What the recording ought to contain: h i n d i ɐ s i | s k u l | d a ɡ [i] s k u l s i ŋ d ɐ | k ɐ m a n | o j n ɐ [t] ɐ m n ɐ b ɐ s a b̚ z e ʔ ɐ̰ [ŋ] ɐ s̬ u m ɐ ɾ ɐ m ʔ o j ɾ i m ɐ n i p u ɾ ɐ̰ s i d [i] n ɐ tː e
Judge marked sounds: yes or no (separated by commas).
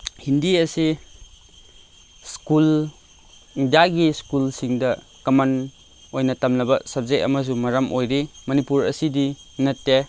yes, yes, no, yes